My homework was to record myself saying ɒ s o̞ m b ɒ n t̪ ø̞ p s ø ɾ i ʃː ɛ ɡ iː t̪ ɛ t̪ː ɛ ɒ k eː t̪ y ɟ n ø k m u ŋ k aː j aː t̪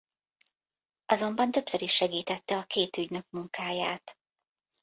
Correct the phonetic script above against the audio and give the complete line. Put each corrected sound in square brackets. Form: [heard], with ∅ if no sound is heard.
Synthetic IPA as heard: ɒ [z] o̞ m b ɒ n t̪ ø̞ p s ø ɾ i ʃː ɛ ɡ iː t̪ ɛ t̪ː ɛ ɒ k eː t̪ y ɟ n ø k m u ŋ k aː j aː t̪